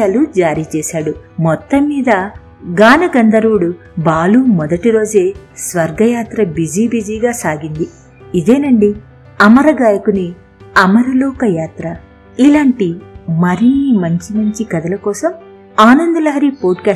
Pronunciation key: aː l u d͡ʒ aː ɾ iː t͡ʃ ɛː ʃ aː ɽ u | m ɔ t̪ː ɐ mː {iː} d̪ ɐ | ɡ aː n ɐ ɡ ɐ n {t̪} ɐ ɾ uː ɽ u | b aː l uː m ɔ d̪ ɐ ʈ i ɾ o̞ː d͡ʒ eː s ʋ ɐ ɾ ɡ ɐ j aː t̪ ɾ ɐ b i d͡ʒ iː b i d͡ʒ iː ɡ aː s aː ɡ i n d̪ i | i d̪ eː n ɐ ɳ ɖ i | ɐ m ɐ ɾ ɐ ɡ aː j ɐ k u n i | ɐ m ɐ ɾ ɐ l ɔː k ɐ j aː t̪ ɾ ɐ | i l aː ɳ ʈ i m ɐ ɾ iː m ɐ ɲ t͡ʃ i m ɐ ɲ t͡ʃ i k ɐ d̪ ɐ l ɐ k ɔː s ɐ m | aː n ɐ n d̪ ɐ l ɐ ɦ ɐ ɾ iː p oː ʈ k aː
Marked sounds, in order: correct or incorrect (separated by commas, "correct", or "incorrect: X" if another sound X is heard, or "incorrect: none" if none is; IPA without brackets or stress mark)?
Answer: correct, incorrect: d̪